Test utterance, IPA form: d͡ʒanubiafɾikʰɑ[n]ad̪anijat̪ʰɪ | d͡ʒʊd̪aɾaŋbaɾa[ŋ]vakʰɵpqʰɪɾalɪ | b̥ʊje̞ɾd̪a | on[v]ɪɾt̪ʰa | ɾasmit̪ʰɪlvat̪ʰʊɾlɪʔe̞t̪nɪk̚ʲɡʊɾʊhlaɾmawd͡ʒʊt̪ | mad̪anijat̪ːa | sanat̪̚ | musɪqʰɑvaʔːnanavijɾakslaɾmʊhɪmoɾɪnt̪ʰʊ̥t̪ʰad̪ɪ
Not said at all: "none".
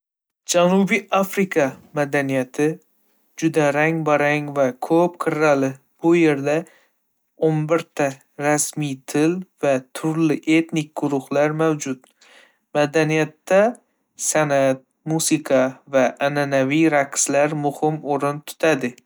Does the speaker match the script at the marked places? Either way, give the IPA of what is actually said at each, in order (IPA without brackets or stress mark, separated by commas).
m, ŋ, b